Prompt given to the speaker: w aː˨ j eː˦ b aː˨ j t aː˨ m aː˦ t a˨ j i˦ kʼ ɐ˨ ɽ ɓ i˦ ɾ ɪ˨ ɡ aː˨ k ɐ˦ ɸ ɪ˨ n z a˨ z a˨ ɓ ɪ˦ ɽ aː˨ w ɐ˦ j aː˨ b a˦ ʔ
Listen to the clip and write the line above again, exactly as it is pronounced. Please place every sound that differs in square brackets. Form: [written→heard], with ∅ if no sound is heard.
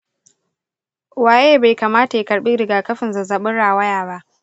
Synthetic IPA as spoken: w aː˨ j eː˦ b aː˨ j [t→k] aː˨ m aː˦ t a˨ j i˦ [kʼ→k] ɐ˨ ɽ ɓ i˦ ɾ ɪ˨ ɡ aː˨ k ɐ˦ ɸ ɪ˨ n z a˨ z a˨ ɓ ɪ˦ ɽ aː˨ w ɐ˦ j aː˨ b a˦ ʔ